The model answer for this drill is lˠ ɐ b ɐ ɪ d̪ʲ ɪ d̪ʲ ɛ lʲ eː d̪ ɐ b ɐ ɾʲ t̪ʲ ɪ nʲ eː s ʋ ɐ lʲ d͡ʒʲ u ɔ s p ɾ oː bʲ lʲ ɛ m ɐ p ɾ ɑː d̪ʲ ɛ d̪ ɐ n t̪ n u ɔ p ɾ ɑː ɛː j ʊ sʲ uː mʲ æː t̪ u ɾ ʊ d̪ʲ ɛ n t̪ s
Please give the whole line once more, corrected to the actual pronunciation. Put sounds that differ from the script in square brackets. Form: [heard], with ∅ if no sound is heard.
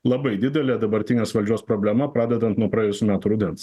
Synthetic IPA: lˠ ɐ b ɐ ɪ d̪ʲ ɪ d̪ʲ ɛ lʲ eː d̪ ɐ b ɐ ɾʲ t̪ʲ ɪ nʲ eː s ʋ ɐ lʲ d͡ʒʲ u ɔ s p ɾ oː bʲ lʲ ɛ m ɐ p ɾ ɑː d̪ʲ ɛ d̪ ɐ n t̪ n u ɔ p ɾ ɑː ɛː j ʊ sʲ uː mʲ æː t̪ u ɾ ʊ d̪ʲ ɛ n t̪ s